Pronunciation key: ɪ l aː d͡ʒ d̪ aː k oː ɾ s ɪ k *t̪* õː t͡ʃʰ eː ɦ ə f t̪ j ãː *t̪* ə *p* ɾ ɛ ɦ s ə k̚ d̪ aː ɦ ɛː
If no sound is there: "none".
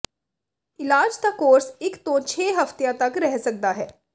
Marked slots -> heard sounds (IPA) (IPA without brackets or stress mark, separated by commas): t̪, t̪, k